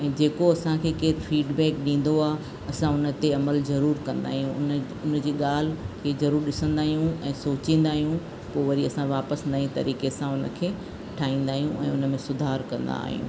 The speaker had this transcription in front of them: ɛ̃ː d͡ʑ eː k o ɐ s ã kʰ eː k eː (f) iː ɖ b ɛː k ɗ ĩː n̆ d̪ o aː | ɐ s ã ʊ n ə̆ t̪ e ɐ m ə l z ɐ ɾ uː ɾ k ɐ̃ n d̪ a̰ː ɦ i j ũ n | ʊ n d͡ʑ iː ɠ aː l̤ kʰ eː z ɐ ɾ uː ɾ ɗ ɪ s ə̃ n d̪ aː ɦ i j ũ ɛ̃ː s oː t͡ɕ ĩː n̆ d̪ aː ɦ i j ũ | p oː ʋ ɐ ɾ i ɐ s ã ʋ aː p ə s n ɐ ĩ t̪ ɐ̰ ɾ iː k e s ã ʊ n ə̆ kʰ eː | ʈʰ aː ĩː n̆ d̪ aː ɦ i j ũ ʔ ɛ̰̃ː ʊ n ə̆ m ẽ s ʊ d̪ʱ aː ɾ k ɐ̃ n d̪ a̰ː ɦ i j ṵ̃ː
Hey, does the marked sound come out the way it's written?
yes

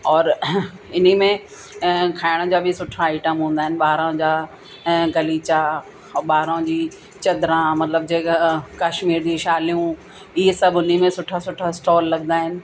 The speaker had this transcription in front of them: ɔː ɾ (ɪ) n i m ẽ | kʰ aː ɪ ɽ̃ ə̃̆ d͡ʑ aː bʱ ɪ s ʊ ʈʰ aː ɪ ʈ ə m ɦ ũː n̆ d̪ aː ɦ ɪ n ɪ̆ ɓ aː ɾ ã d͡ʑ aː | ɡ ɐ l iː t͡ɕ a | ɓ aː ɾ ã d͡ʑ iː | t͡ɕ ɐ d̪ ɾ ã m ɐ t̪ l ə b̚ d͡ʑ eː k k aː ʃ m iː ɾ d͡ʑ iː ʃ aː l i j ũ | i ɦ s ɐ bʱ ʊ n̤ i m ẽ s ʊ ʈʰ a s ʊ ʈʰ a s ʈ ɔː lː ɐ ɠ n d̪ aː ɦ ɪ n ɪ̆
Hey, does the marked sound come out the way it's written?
yes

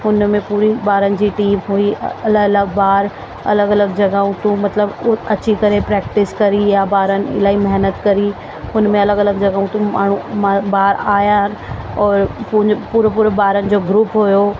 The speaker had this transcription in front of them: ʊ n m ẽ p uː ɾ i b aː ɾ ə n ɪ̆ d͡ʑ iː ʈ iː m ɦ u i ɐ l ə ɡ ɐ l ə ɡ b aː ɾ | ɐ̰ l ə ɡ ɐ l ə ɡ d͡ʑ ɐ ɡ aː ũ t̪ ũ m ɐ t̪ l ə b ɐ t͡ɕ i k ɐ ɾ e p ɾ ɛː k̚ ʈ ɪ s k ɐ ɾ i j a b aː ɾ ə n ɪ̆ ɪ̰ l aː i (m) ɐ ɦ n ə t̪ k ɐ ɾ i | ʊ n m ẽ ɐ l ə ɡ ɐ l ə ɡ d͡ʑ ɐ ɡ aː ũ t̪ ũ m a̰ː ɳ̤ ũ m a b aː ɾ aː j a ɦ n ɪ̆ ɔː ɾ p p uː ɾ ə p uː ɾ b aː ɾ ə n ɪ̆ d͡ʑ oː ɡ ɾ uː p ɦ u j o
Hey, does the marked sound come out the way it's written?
yes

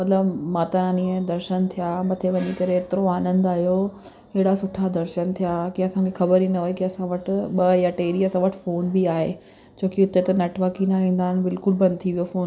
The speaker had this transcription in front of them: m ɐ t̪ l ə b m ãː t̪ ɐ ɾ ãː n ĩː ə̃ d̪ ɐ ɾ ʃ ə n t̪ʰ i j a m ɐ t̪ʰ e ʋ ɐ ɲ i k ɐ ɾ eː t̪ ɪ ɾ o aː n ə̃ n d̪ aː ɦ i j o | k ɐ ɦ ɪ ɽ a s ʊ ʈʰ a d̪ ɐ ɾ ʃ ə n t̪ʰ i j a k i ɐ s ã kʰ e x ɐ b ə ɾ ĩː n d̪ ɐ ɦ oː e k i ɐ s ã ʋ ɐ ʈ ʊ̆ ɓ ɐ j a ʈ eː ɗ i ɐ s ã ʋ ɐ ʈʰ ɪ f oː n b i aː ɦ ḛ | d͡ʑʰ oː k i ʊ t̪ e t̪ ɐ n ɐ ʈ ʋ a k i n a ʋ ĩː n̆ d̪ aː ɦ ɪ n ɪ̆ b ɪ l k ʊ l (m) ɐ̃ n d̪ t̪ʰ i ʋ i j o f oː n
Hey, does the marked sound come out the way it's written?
no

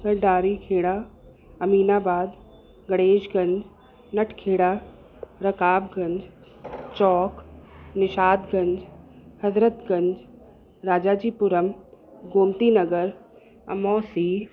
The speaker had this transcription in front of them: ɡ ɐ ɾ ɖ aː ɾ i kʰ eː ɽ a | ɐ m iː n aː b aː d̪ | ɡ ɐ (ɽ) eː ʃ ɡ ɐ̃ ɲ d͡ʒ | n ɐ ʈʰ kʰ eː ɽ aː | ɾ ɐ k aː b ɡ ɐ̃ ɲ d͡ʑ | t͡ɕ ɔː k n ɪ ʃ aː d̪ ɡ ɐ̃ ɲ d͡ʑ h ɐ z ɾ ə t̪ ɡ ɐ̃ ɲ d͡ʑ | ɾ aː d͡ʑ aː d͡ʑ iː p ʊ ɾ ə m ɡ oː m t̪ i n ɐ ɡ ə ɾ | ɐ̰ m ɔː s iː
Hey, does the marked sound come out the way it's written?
yes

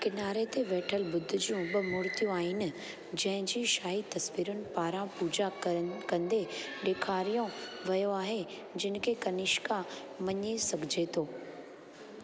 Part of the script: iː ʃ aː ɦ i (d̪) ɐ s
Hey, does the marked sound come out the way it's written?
no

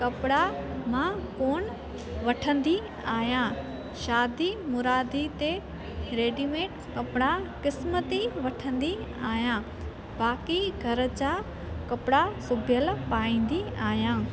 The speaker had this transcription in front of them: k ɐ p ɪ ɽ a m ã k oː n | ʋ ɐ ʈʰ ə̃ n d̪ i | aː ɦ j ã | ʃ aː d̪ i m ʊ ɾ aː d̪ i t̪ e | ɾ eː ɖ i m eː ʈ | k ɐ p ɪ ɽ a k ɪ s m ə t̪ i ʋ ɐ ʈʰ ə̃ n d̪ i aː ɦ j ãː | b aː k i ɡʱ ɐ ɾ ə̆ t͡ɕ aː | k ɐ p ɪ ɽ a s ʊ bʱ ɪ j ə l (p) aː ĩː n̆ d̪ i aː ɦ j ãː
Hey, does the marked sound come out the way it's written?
yes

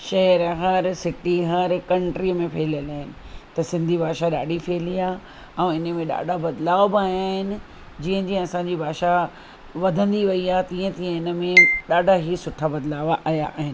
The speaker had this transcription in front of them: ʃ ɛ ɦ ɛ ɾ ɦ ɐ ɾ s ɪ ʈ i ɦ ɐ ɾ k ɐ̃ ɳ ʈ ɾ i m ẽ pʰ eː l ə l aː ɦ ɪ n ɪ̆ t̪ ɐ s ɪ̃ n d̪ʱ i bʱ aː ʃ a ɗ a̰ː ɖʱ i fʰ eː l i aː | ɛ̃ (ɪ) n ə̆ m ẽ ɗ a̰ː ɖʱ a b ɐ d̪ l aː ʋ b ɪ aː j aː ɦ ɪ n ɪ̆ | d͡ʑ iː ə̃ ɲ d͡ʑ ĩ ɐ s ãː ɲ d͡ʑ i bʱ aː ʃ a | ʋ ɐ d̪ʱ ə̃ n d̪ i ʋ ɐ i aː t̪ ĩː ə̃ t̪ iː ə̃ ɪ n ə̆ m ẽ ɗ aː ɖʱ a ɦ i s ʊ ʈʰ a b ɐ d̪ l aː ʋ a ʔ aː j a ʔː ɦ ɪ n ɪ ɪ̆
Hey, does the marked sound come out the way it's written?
yes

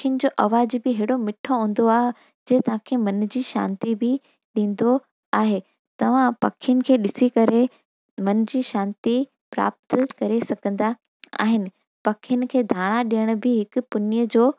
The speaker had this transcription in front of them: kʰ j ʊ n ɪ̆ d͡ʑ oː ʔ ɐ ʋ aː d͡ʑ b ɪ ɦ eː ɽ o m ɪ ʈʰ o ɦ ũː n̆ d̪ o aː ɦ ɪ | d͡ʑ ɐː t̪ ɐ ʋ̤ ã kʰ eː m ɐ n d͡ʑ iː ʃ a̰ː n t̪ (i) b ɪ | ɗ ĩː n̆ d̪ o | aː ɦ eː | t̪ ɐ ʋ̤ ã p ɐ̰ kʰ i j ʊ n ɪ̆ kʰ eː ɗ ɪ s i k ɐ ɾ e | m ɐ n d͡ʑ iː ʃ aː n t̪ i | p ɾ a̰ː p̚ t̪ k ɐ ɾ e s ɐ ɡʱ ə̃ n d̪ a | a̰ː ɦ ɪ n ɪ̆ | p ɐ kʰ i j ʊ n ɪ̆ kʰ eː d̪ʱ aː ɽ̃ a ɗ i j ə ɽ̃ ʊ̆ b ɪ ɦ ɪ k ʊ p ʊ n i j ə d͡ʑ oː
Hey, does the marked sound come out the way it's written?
yes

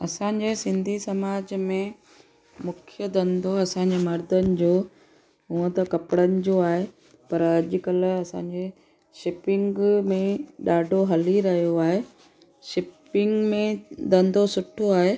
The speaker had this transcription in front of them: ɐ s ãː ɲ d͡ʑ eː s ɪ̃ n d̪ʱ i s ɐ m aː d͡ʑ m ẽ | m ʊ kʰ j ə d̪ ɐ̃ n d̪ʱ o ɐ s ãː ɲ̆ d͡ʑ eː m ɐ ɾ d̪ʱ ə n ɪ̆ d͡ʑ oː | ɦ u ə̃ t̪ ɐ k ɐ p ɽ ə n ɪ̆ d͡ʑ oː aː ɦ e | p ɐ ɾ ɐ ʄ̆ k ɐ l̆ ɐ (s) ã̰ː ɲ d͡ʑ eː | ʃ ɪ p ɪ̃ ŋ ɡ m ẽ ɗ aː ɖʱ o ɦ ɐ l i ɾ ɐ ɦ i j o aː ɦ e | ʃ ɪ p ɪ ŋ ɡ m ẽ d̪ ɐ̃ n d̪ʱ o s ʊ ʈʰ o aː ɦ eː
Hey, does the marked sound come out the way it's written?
yes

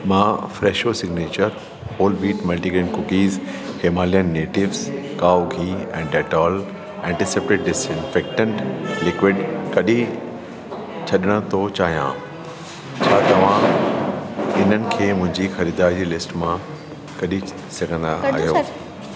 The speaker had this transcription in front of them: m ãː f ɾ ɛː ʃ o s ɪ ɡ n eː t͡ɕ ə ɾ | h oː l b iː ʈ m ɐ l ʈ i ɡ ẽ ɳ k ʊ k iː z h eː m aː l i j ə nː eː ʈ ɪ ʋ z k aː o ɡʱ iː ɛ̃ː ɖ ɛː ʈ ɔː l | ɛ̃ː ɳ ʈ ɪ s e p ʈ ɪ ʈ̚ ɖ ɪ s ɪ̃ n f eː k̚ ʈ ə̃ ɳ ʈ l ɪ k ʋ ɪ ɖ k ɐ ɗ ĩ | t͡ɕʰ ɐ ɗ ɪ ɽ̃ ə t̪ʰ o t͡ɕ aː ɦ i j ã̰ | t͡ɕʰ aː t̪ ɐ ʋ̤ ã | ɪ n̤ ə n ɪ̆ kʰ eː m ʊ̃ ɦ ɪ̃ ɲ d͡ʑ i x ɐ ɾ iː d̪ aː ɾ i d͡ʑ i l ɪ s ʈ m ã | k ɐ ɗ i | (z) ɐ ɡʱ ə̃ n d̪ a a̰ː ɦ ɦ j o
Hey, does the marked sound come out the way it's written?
no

